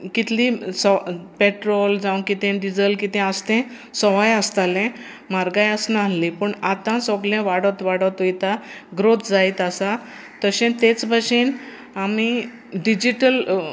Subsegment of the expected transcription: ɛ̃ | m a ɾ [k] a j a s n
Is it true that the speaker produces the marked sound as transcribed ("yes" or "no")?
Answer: no